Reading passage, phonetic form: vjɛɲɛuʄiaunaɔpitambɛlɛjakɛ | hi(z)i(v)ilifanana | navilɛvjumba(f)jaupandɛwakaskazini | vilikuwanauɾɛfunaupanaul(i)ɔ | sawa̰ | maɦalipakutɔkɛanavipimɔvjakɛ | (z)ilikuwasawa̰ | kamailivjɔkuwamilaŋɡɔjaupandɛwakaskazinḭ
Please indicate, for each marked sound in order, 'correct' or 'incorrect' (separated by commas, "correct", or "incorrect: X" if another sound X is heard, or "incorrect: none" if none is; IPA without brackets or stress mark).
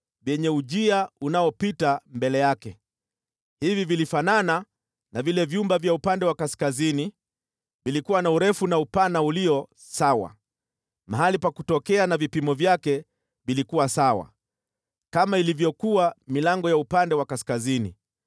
incorrect: v, correct, incorrect: v, correct, incorrect: v